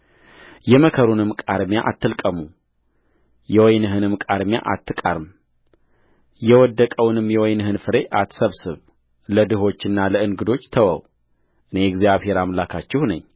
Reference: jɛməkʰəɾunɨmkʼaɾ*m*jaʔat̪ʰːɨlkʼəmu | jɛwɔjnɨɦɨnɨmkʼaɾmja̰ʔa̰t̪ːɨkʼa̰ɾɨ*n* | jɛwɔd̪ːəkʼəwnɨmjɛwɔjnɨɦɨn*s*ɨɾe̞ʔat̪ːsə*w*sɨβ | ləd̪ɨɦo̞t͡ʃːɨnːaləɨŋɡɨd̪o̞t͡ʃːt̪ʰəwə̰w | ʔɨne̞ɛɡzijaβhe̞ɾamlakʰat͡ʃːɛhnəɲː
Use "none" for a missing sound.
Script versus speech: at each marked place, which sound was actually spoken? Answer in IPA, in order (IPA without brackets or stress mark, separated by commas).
m, m, f, β